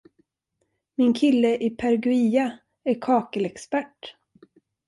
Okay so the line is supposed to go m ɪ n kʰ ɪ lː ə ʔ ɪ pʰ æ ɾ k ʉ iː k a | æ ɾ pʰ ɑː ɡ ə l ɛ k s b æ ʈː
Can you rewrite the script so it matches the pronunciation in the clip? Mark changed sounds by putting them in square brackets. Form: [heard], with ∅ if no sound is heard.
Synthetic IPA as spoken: m ɪ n kʰ ɪ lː ə ʔ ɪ pʰ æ ɾ [ɡ] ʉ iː [∅] a | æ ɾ [kʰ] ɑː [k] ə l ɛ k s [p] æ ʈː